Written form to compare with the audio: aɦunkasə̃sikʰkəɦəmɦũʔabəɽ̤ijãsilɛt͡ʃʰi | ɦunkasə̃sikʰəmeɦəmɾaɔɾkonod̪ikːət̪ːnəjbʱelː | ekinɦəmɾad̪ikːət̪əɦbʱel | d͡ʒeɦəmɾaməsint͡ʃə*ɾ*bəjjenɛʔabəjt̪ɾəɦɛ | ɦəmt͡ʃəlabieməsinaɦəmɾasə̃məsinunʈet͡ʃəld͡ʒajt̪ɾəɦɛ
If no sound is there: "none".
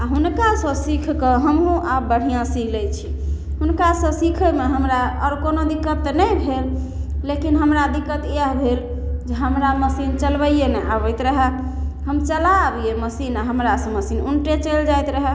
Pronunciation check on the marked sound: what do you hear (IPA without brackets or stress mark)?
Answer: l